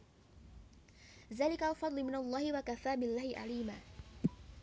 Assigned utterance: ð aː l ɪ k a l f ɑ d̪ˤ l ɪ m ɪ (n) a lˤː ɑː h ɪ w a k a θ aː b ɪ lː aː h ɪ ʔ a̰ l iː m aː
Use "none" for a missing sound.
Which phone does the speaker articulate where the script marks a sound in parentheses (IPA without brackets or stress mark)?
n